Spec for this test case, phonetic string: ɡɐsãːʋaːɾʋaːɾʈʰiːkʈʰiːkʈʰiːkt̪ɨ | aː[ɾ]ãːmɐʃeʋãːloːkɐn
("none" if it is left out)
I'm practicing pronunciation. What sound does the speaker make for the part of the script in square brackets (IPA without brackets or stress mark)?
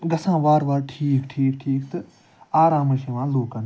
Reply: ɾ